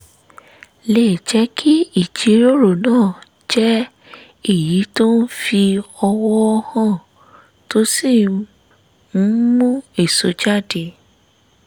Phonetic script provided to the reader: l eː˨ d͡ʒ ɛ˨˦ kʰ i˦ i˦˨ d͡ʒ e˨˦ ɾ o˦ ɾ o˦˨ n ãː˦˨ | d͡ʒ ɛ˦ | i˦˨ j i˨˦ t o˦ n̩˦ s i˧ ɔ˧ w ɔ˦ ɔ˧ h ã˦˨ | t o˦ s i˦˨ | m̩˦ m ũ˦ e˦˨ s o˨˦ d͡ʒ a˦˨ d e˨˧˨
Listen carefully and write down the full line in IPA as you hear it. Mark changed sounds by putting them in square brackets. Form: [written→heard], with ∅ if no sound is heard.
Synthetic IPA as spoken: l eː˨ d͡ʒ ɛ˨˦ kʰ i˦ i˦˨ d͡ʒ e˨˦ ɾ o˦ ɾ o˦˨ n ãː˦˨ | d͡ʒ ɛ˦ | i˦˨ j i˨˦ t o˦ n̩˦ [s→f] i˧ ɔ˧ w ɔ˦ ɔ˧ h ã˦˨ | t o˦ s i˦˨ | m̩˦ m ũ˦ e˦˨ s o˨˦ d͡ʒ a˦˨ d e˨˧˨